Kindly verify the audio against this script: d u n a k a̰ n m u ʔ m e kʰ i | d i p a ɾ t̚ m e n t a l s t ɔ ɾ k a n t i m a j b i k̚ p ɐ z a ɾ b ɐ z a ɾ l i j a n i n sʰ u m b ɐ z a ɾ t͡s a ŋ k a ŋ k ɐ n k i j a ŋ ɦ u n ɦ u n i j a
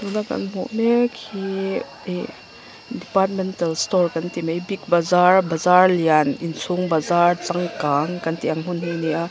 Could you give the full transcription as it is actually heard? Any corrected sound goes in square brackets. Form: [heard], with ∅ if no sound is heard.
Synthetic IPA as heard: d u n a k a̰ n m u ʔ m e kʰ i | d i p a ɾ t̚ m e n t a l s t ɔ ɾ k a n t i m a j b i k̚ [b] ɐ z a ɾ b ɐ z a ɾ l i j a n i n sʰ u [ŋ] b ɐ z a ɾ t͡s a ŋ k a ŋ k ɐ n [t] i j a ŋ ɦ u n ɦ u n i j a

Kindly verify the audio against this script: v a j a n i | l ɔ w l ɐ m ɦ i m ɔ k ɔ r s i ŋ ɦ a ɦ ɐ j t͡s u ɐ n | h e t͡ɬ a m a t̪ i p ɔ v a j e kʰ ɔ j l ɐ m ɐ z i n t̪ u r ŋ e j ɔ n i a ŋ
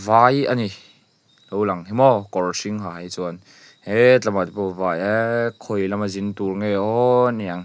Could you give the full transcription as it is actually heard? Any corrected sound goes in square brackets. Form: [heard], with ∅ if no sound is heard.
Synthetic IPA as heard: v a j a n i | l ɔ w l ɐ [ŋ] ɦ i m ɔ k ɔ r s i ŋ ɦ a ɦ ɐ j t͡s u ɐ n | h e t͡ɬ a m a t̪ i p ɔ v a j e kʰ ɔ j l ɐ m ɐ z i n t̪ u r ŋ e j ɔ n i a ŋ

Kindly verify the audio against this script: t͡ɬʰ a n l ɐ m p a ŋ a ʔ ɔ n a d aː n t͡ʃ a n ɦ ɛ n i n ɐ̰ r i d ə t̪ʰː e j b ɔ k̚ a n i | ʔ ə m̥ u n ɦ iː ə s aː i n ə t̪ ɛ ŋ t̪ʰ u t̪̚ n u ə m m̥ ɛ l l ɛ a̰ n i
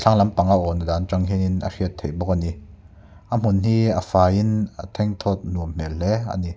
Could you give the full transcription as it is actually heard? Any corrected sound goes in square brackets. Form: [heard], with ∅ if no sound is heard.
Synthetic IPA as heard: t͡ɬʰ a [ŋ] l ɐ m p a ŋ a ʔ ɔ n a d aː n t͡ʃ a [ŋ] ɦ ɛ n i n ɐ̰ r i [∅] ə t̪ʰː e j b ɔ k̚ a n i | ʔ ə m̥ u n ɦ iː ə [f] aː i n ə [t̪ʰ] ɛ ŋ t̪ʰ [ɔ] t̪̚ n u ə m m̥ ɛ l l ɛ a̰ n i

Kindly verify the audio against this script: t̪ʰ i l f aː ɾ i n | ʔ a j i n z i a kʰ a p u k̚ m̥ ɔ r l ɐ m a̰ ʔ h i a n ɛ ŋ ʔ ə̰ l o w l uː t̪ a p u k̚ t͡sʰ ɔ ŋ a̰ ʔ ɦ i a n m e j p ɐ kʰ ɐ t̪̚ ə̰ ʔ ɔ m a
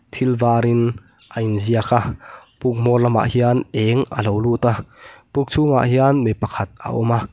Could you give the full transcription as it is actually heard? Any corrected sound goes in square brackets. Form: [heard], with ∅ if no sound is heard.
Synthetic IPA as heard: t̪ʰ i l [v] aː ɾ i n | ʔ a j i n z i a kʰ a p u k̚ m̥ ɔ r l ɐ m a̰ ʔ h i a n ɛ ŋ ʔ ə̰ l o w l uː t̪ a p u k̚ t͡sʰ [u] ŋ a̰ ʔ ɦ i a n m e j p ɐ kʰ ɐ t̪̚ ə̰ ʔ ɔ m a

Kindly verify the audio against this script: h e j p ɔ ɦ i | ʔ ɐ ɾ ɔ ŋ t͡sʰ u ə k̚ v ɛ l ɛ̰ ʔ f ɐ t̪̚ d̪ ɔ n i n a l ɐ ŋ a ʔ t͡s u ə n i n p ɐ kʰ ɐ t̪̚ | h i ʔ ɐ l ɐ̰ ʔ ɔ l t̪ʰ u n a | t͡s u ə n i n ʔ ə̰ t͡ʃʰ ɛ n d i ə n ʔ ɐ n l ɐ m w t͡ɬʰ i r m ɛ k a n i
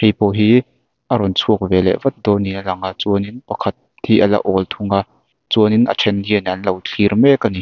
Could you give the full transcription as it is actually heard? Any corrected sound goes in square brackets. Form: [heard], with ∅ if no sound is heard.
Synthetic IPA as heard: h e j p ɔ ɦ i | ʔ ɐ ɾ ɔ [n] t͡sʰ u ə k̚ v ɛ l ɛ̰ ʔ [v] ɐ t̪̚ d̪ ɔ n i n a l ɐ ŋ a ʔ t͡s u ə n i n p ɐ kʰ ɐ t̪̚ | h i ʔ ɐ l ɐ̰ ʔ ɔ l t̪ʰ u [ŋ] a | t͡s u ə n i n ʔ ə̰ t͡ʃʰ ɛ n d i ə n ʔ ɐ n l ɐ [∅] w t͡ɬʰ i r m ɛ k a n i

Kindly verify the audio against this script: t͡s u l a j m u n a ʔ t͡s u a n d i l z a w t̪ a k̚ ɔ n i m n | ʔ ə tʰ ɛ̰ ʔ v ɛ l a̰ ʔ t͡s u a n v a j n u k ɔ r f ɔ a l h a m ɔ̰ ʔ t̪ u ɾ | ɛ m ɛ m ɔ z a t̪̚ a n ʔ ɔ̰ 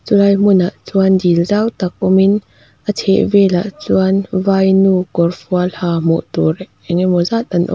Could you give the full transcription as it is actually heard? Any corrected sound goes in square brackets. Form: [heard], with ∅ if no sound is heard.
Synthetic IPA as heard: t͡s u l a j m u n a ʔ t͡s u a n d i l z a w t̪ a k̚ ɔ [m] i [∅] n | ʔ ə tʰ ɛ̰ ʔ v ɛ l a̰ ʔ t͡s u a n v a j n u k ɔ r f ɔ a l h a m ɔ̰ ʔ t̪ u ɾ | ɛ [ŋ] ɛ m ɔ z a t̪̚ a n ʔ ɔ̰

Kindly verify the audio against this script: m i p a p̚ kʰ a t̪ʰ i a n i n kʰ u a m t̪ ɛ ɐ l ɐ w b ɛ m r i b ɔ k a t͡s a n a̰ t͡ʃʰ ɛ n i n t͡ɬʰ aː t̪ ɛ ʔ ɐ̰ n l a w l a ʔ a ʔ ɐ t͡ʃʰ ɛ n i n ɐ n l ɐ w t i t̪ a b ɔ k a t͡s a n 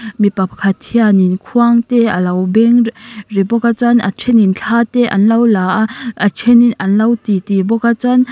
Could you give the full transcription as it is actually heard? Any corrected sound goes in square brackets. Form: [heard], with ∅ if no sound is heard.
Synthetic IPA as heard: m i p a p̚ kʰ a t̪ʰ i a n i n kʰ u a [ŋ] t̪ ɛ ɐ l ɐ w b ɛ [ŋ] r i b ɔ k a t͡s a n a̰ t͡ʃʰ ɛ n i n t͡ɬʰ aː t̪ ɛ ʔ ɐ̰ n l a w l a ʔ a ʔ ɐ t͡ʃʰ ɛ n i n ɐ n l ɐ w t i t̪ [i] b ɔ k a t͡s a n

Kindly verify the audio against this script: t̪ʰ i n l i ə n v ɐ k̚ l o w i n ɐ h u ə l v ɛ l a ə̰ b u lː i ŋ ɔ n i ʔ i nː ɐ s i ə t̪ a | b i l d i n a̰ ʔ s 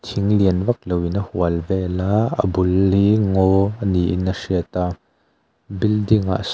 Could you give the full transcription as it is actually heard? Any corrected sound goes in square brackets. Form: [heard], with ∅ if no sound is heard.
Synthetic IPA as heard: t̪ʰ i [ŋ] l i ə n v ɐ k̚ l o w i n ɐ h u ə l v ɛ l a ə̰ b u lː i ŋ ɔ n i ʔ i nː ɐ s i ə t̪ a | b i l d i [ŋ] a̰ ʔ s

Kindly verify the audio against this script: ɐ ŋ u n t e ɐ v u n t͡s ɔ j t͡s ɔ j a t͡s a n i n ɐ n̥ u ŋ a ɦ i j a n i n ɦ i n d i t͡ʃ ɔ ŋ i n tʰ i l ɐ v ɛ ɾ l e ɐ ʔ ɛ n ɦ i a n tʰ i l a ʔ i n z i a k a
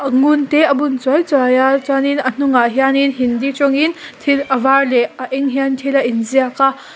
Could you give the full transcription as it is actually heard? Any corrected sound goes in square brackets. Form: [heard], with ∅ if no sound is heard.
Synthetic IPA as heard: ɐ ŋ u n t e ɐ [b] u n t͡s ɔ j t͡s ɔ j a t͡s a n i n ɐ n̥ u ŋ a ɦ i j a n i n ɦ i n d i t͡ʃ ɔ ŋ i n tʰ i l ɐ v [a] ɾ l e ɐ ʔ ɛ [ŋ] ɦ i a n tʰ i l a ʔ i n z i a k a

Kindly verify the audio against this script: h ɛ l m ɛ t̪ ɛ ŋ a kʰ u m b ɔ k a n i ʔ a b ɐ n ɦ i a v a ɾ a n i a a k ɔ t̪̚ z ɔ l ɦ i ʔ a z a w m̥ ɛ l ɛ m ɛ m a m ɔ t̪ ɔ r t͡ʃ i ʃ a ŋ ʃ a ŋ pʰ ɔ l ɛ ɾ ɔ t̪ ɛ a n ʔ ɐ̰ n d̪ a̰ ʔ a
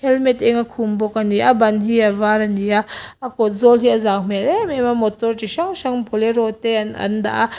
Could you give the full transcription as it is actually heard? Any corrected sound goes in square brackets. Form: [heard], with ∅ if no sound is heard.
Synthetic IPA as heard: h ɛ l m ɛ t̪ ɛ ŋ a kʰ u m b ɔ k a n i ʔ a b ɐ n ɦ i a v a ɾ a n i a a k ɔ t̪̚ z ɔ l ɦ i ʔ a z a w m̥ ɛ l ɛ m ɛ m a m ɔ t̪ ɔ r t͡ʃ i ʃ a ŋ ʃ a ŋ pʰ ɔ l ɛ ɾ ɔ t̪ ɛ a n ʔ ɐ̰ n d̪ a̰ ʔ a

